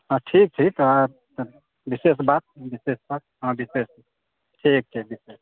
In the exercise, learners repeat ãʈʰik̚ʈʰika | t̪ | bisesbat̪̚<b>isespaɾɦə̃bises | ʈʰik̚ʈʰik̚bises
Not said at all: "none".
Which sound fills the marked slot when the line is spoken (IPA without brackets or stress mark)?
b